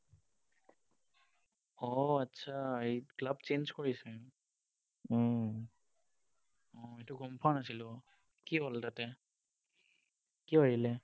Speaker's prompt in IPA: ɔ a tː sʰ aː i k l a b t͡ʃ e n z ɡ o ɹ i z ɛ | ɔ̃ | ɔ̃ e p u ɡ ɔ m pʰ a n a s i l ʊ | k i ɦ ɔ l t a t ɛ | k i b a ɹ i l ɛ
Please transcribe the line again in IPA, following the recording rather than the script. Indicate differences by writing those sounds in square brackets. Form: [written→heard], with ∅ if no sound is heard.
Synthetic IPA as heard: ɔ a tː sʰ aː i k l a b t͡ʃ e n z [ɡ→k] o ɹ i [z→s] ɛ | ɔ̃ | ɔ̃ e [p→t] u ɡ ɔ m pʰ a n a s i l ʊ | k i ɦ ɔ l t a t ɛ | k i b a ɹ i l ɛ

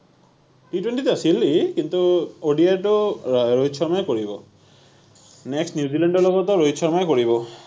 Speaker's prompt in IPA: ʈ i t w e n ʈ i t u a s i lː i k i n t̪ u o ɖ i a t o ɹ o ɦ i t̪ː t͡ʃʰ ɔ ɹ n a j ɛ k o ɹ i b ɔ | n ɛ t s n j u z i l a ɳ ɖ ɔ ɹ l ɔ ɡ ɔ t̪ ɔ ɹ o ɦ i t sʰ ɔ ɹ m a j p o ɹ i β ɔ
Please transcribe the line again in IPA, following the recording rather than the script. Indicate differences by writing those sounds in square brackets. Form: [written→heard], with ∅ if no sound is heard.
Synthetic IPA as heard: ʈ i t w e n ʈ i t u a s i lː i k i n t̪ u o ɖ i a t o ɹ o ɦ i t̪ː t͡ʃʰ ɔ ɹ [n→m] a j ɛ k o ɹ i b ɔ | n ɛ [t→k] s n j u z i l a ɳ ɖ ɔ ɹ l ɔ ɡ ɔ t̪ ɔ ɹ o ɦ i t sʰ ɔ ɹ m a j [p→k] o ɹ i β ɔ

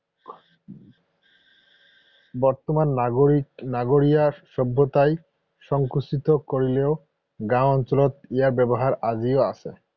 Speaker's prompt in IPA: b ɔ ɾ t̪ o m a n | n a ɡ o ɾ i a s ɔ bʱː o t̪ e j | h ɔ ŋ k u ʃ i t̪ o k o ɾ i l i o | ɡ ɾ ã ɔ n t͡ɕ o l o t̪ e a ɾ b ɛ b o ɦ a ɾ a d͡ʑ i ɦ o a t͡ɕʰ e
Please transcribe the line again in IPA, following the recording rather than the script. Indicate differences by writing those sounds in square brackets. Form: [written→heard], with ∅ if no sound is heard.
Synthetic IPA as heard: b ɔ ɾ t̪ o m a n | n a ɡ o ɾ i a [s→ʃ] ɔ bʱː o t̪ [e→a] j | [h→ʃ] ɔ ŋ k u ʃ i t̪ o k o ɾ i l [i→e] o | ɡ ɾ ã ɔ n t͡ɕ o l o t̪ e a ɾ b ɛ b o ɦ a ɾ a d͡ʑ i [ɦ→∅] o a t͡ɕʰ e

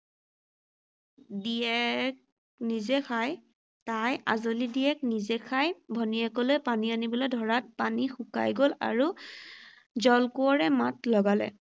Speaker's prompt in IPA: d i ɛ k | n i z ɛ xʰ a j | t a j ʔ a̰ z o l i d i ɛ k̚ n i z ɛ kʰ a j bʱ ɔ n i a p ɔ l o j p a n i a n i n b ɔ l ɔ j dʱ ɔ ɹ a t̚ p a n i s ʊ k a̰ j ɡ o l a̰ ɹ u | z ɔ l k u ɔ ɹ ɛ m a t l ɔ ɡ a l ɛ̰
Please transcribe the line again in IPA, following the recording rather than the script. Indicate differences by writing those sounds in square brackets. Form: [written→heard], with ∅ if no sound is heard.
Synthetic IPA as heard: d i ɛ k | n i z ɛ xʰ a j | t a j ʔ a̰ z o l i d i ɛ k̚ n i z ɛ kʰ a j bʱ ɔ n i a [p→k] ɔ l o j p a n i a n i [n→∅] b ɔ l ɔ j dʱ ɔ ɹ a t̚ p a n i [s→x] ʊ k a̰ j ɡ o l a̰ ɹ u | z ɔ l k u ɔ ɹ ɛ m a t l ɔ ɡ a l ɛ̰

